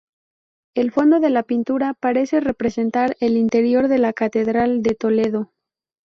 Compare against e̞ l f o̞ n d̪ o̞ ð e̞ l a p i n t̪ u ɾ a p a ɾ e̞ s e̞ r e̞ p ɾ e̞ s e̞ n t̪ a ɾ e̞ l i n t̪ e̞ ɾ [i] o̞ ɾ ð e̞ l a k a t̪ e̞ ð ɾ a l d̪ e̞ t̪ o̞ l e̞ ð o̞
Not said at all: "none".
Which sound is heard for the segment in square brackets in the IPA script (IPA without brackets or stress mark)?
j